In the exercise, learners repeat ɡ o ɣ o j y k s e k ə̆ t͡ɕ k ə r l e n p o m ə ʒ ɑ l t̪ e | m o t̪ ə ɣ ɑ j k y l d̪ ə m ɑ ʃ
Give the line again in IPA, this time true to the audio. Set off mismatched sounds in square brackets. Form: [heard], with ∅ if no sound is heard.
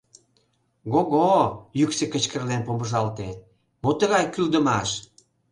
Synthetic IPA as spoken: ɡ o ɣ o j y k s e k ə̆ t͡ɕ k ə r l e n p o m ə ʒ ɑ l t̪ e | m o t̪ ə ɣ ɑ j k y l d̪ ə m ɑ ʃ